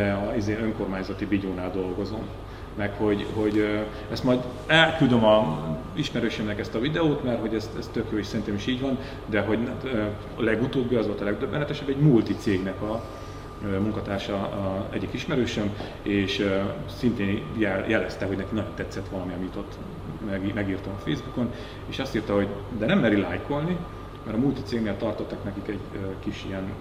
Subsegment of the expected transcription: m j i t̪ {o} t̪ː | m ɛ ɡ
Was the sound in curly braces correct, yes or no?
yes